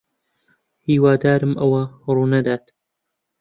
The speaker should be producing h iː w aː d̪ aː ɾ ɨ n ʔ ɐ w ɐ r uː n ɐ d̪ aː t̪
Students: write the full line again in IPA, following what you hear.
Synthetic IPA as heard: h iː w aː d̪ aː ɾ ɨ m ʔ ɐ w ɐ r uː n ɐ d̪ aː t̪